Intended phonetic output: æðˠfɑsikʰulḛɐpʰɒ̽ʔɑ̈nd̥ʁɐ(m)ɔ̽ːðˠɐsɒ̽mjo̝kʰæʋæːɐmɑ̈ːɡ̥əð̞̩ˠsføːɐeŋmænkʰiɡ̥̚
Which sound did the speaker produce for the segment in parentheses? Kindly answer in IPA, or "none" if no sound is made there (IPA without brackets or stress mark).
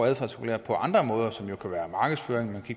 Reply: m